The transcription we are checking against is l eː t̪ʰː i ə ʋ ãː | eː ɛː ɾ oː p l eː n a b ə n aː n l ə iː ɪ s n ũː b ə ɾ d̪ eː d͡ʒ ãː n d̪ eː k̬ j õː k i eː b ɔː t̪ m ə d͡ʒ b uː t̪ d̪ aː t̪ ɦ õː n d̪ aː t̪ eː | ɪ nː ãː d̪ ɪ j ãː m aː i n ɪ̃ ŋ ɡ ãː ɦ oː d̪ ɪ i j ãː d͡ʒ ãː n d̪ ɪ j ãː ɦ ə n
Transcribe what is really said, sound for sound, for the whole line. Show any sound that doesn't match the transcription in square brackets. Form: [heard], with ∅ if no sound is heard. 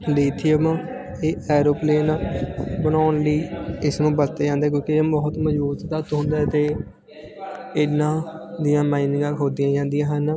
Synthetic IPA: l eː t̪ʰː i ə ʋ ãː | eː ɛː ɾ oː p l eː n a b ə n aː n l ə iː ɪ s n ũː b ə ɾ [t̪] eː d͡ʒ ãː n d̪ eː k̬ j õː k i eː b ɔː t̪ m ə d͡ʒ b uː t̪ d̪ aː t̪ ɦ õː n d̪ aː t̪ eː | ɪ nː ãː d̪ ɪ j ãː m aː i n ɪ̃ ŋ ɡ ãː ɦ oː d̪ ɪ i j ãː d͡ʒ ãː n d̪ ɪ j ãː ɦ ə n